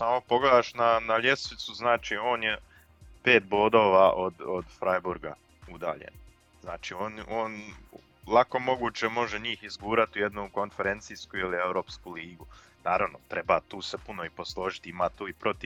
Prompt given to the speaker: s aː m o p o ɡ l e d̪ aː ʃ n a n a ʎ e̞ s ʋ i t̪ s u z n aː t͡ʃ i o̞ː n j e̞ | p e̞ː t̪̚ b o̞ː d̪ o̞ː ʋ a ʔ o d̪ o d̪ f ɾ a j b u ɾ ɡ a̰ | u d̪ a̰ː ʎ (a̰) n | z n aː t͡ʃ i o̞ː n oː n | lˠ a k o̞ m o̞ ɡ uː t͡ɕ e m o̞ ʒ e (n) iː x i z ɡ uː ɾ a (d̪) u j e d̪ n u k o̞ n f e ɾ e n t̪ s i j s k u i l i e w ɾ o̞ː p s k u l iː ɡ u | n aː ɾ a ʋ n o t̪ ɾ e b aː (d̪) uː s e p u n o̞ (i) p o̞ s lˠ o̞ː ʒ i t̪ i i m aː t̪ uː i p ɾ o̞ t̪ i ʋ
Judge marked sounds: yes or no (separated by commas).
no, no, no, no, yes